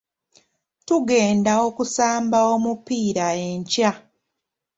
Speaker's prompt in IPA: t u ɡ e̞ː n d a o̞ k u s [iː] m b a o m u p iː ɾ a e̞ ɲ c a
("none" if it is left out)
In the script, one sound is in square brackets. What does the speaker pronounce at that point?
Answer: aː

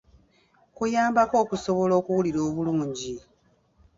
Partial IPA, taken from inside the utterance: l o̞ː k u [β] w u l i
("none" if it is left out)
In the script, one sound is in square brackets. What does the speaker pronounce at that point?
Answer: none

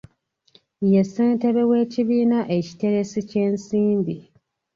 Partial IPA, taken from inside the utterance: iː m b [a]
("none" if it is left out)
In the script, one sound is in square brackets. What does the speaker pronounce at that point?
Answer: i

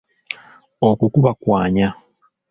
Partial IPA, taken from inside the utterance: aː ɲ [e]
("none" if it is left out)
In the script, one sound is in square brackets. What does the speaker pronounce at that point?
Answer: a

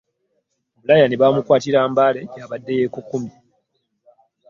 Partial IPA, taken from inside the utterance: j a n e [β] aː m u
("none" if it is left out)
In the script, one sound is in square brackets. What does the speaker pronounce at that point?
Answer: β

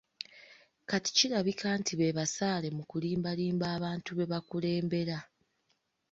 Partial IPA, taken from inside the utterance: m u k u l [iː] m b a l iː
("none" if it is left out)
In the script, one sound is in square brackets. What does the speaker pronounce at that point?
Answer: iː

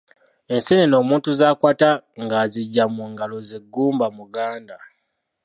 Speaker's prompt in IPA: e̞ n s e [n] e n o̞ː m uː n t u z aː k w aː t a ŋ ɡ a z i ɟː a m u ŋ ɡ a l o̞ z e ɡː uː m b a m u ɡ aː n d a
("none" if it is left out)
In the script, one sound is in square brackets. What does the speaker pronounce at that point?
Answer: n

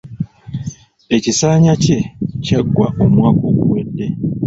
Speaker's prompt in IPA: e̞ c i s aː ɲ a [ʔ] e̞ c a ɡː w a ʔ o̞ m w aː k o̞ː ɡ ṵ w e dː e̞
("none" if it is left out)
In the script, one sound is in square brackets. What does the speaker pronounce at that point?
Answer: c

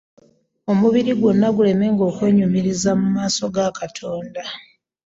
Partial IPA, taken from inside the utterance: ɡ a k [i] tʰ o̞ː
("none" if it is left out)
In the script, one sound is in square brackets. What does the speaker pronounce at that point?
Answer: a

